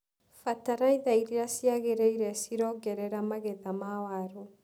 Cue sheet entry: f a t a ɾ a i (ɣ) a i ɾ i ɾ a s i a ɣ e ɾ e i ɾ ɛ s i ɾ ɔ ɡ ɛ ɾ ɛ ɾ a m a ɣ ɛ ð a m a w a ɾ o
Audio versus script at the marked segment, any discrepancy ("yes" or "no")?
yes